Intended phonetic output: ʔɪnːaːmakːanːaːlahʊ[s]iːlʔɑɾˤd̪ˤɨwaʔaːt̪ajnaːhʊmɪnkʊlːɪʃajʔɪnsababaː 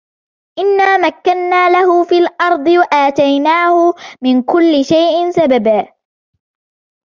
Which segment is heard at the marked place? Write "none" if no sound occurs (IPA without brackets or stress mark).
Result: f